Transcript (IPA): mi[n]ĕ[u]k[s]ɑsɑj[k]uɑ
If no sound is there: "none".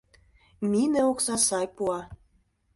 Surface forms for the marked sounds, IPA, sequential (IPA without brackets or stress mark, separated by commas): n, o, s, p